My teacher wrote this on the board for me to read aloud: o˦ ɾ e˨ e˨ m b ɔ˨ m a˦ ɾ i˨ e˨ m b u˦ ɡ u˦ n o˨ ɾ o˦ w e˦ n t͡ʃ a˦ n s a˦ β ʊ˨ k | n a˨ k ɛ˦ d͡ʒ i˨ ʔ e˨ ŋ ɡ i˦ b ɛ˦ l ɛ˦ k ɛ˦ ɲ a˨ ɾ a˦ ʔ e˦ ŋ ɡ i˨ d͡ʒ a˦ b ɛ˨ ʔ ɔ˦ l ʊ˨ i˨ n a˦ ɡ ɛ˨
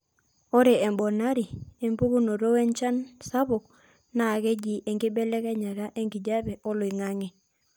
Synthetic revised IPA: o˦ ɾ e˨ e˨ m b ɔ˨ n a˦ ɾ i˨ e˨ m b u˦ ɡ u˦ n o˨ ɾ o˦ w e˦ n t͡ʃ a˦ n s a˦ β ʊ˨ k | n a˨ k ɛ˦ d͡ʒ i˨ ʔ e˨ ŋ ɡ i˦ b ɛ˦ l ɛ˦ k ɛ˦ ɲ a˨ ɾ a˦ ʔ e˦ ŋ ɡ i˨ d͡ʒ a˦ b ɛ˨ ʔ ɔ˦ l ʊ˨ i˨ ŋ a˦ ŋ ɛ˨